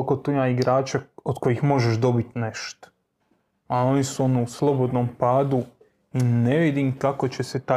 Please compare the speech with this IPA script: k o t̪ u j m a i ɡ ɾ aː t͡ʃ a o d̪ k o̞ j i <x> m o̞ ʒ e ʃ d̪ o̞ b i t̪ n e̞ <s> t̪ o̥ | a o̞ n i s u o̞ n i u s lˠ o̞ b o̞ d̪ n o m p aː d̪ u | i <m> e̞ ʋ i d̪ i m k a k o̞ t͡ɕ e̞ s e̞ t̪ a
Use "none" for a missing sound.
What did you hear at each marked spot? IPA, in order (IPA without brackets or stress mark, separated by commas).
x, ʃ, n